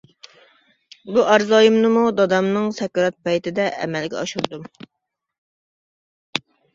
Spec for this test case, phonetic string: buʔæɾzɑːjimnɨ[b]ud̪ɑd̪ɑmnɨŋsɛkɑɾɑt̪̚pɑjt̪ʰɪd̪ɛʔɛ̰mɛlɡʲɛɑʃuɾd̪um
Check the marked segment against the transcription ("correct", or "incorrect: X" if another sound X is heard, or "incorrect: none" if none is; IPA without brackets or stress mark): incorrect: m